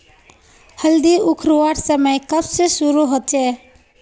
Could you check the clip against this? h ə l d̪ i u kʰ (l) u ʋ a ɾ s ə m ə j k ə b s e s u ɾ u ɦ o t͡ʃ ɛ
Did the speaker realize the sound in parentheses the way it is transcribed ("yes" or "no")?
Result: no